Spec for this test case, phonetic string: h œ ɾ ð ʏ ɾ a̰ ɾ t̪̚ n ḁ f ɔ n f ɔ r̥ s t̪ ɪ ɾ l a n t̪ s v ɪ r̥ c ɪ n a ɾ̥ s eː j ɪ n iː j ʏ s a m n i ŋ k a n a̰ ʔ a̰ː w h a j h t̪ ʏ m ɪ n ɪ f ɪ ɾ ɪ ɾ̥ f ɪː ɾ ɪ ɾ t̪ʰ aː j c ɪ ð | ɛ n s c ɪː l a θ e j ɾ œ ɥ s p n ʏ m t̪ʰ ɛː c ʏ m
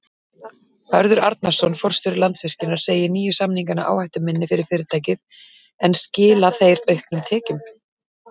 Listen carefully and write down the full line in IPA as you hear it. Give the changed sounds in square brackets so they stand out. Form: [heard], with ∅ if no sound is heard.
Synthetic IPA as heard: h œ ɾ ð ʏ ɾ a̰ ɾ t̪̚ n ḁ [s] ɔ n f ɔ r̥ s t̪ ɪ ɾ l a n t̪ s v ɪ r̥ c ɪ n a ɾ̥ s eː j ɪ n iː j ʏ s a m n i ŋ k a n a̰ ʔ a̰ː w h a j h t̪ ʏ m ɪ [nː] ɪ f ɪ ɾ ɪ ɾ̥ f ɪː ɾ ɪ ɾ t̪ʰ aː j c ɪ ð | ɛ n s c ɪː l a θ e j ɾ œ ɥ [h] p n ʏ m t̪ʰ ɛː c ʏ m

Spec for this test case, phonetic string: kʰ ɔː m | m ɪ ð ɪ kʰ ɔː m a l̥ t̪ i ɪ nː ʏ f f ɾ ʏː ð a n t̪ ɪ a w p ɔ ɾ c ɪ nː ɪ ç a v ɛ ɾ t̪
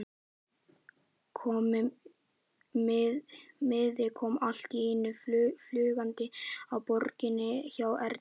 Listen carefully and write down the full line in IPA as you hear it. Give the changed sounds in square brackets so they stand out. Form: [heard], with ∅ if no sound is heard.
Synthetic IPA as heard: kʰ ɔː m | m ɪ ð ɪ kʰ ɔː m a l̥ t̪ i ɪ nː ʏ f f [l] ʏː [ɣ] a n t̪ ɪ a w p ɔ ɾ c ɪ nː ɪ ç a [w] ɛ ɾ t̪

